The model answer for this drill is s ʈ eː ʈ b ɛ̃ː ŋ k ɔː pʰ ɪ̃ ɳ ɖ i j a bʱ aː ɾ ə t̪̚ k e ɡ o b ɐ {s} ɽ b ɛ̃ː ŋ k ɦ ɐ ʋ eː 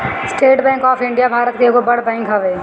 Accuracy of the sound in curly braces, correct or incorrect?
incorrect